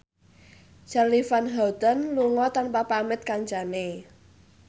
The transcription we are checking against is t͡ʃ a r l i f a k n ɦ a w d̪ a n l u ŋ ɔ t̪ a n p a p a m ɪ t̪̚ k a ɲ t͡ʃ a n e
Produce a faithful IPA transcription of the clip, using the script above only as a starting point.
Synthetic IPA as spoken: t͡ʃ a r l i f a n ɦ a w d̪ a n l u ŋ ɔ t̪ a n p a p a m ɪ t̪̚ k a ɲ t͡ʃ a n e